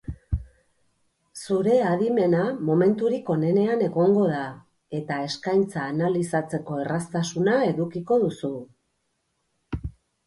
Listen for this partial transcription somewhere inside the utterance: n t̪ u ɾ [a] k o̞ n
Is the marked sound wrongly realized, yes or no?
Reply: yes